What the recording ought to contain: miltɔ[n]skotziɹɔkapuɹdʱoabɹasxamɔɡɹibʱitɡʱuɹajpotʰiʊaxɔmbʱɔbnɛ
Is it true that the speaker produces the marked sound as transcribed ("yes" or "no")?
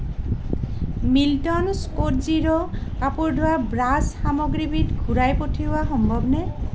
yes